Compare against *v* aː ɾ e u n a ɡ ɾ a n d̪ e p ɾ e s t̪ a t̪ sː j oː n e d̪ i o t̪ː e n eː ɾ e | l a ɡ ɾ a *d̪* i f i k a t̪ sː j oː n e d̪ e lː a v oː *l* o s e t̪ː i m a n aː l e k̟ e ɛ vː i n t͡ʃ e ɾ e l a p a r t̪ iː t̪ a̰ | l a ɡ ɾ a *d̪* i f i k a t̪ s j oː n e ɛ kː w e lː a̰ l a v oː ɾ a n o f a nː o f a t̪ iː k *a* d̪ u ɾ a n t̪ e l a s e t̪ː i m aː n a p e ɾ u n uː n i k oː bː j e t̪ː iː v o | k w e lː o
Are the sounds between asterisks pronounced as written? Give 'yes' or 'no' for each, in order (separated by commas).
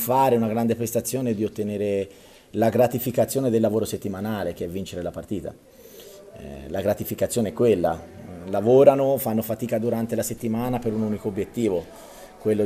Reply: no, no, no, no, yes